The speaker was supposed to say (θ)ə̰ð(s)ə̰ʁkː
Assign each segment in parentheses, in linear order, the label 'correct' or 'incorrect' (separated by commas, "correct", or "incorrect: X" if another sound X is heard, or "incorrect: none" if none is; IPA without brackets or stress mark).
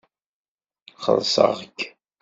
incorrect: χ, correct